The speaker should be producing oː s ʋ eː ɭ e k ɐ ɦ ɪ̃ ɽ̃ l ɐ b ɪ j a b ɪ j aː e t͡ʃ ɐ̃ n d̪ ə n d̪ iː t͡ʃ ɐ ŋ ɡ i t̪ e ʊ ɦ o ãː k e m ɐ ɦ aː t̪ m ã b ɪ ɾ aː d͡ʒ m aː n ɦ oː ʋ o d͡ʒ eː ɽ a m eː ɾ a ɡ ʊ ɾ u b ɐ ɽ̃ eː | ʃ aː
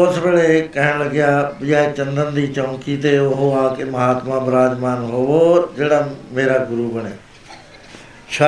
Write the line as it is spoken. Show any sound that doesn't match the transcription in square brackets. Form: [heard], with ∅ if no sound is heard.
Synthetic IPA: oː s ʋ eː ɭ e k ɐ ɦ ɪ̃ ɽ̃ l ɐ [ɡ] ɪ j a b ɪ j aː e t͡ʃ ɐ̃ n d̪ ə n d̪ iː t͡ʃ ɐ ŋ [k] i t̪ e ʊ ɦ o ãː k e m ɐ ɦ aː t̪ m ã b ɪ ɾ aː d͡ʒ m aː n ɦ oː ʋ o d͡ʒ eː ɽ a m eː ɾ a ɡ ʊ ɾ u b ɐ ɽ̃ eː | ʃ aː